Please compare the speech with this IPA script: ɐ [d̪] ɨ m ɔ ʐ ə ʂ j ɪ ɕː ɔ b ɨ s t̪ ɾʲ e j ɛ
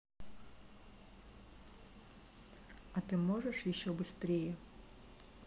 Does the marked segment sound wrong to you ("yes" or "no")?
yes